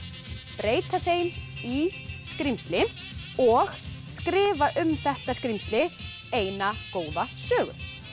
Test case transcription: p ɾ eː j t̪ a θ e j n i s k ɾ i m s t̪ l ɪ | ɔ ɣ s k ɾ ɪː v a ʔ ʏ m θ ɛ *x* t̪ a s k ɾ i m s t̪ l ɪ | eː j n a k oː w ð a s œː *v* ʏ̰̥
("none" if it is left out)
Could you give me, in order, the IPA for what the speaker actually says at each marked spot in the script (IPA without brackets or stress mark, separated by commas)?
h, ɣ